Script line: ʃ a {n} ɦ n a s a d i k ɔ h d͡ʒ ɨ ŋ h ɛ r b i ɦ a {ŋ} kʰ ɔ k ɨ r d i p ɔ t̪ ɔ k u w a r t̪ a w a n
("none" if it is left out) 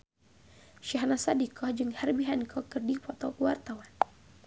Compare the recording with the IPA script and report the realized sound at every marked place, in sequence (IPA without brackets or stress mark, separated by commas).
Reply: none, n